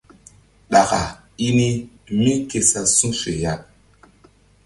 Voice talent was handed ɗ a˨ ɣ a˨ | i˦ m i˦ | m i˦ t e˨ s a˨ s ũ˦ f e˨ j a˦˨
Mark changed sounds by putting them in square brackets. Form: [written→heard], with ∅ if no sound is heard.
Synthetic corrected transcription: ɗ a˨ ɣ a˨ | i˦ [m→n] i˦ | m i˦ [t→k] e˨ s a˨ s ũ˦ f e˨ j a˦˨